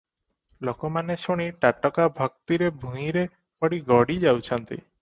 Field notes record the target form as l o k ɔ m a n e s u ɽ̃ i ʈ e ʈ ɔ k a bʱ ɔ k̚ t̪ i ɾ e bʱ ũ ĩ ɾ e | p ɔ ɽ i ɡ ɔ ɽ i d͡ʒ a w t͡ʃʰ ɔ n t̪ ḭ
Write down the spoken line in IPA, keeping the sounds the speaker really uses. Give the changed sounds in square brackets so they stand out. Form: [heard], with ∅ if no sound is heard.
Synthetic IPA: l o k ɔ m a n e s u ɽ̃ i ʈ [a] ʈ ɔ k a bʱ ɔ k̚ t̪ i ɾ e bʱ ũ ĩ ɾ e | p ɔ ɽ i ɡ ɔ ɽ i d͡ʒ a w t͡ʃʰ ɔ n t̪ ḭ